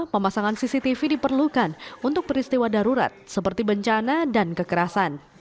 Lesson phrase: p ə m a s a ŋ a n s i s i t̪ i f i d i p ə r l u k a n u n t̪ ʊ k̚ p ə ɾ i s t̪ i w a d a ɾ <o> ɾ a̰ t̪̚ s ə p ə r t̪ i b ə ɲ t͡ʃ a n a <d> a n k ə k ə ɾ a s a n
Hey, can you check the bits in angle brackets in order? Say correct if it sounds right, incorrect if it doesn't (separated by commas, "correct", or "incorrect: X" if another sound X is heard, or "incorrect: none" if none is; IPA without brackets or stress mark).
incorrect: u, correct